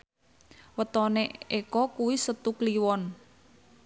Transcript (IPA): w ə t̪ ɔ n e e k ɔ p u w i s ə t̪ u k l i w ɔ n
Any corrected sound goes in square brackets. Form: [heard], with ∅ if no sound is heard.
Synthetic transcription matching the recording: w ə t̪ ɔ n e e k ɔ [k] u w i s ə t̪ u k l i w ɔ n